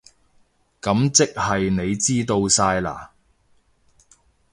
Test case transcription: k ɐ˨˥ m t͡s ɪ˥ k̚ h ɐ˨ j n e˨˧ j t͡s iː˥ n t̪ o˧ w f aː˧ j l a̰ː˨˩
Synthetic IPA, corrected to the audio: k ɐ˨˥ m t͡s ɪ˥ k̚ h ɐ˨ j n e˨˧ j t͡s iː˥ t̪ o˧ w s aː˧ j l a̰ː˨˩